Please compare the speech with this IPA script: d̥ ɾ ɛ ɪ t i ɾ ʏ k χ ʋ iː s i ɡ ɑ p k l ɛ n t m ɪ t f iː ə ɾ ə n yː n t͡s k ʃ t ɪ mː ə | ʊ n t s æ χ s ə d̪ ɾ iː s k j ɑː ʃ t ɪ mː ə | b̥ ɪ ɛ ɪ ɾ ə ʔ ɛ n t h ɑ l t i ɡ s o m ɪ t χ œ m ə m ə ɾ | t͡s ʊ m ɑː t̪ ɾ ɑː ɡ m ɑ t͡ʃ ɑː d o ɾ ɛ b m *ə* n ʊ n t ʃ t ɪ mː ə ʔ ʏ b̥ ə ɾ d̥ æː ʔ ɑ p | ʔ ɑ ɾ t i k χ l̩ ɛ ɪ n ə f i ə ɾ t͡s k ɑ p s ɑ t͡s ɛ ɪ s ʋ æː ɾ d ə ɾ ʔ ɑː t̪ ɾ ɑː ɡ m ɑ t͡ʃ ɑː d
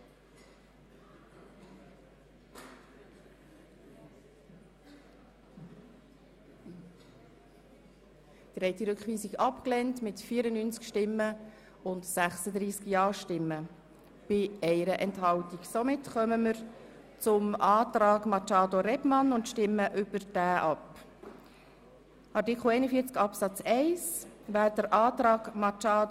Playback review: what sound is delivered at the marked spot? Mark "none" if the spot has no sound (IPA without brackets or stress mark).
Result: ɑ